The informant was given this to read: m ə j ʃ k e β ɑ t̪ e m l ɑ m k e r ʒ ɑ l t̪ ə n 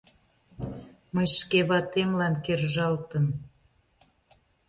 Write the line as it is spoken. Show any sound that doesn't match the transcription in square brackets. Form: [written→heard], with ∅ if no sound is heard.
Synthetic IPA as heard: m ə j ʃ k e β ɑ t̪ e m l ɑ [m→n] k e r ʒ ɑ l t̪ ə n